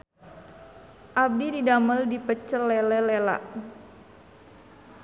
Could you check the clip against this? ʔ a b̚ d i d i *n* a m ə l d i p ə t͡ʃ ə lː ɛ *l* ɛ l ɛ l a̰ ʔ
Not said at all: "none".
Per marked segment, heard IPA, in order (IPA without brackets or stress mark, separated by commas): d, l